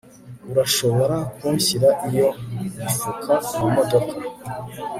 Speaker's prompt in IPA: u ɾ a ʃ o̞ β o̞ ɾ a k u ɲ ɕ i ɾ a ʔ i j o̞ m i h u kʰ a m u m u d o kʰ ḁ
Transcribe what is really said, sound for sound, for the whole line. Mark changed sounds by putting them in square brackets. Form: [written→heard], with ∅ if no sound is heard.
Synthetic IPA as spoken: u ɾ a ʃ o̞ β o̞ ɾ a k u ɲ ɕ i ɾ a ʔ i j o̞ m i [h→f] u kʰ a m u m [u→o] d o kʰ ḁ